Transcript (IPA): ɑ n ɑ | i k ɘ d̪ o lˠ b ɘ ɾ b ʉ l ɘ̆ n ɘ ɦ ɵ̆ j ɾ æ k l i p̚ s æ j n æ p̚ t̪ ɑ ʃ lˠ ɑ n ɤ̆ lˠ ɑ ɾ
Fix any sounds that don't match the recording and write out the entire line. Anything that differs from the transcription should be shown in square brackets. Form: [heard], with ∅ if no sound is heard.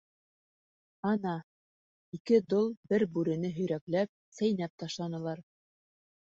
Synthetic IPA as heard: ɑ n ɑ | i k ɘ d̪ o lˠ b ɘ ɾ b ʉ [ɾ] ɘ̆ n ɘ ɦ ɵ̆ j ɾ æ k l [æ] p̚ s æ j n æ p̚ t̪ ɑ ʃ lˠ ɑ n ɤ̆ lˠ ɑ ɾ